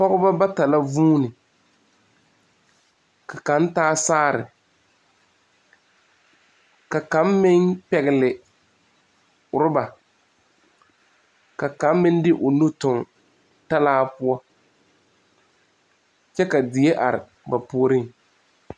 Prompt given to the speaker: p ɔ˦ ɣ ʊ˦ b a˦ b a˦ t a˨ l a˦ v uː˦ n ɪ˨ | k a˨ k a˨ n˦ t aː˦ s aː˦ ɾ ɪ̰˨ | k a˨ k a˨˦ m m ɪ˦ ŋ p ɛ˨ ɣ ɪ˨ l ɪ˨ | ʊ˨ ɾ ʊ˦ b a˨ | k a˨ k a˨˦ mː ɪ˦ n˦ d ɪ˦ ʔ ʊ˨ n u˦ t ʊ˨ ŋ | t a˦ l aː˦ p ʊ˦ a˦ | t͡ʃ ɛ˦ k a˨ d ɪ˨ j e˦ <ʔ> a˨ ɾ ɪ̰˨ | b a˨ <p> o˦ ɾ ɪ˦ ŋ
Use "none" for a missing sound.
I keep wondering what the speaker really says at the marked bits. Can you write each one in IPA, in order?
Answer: ʔ, p

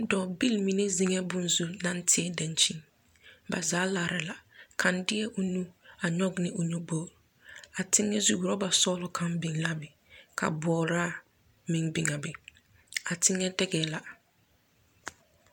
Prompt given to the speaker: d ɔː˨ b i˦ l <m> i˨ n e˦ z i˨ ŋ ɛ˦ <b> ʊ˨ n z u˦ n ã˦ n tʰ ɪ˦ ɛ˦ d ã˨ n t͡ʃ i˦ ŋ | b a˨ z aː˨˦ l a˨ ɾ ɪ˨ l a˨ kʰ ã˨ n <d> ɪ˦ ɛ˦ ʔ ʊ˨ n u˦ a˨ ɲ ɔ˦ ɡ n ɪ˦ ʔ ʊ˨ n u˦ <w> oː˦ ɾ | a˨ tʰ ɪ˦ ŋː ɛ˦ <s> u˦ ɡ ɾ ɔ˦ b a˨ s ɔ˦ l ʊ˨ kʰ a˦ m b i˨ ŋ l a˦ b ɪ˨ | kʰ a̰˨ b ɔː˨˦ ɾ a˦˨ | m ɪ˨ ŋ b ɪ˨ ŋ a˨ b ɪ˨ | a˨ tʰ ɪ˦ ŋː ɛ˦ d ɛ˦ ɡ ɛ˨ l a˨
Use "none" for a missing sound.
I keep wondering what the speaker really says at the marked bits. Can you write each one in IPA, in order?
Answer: m, b, d, b, z

